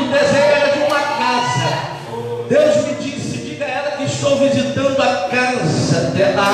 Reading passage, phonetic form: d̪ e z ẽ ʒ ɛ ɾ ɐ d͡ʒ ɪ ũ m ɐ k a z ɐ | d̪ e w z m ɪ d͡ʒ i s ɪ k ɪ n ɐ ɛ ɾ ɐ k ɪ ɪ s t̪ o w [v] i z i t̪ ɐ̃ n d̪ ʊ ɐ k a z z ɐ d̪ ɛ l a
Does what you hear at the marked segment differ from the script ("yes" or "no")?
no